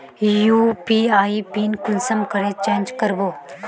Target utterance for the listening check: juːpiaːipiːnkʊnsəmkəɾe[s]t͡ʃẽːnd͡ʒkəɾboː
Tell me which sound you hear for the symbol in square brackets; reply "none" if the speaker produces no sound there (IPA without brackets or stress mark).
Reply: none